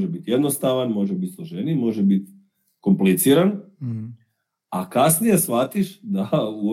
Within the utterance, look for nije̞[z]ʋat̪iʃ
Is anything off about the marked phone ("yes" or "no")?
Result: yes